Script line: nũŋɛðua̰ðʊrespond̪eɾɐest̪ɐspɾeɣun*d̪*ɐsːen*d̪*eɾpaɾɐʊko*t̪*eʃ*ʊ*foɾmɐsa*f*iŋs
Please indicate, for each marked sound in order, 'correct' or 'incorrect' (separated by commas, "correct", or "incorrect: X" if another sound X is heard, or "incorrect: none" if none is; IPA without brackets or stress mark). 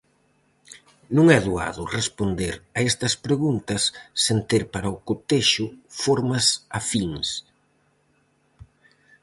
incorrect: t̪, incorrect: t̪, correct, correct, correct